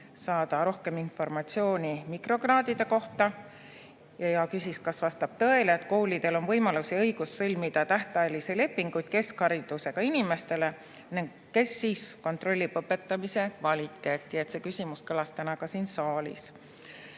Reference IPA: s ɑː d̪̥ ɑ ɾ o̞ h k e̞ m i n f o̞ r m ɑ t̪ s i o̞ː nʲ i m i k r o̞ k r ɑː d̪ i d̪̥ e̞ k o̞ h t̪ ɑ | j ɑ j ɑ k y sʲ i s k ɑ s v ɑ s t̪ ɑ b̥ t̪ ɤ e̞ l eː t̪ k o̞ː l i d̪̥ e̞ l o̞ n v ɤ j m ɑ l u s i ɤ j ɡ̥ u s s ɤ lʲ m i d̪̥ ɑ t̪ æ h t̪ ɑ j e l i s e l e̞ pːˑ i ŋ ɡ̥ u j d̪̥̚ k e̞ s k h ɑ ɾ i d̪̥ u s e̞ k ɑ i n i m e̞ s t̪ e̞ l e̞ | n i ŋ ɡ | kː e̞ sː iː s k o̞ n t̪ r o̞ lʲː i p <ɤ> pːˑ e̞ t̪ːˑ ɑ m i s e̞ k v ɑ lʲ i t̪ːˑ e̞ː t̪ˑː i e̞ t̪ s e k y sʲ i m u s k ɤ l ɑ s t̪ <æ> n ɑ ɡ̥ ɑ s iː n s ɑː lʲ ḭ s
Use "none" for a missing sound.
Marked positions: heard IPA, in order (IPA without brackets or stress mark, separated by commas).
ɤ, æ